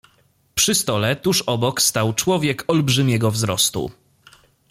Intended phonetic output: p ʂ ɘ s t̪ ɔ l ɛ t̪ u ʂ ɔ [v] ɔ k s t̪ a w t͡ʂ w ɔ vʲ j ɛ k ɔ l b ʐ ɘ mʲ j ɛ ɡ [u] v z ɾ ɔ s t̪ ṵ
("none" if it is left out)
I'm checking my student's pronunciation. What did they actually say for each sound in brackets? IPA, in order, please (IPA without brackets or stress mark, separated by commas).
b, ɔ